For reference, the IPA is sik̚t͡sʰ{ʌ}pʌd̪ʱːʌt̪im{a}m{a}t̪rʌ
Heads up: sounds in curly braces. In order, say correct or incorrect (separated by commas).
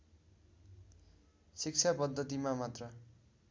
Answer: incorrect, correct, correct